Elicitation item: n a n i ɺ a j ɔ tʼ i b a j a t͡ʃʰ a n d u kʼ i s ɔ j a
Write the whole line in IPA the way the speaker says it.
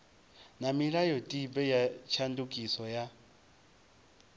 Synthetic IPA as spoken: n a m i ɺ a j ɔ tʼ i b ɛ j a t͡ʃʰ a n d u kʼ i s ɔ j a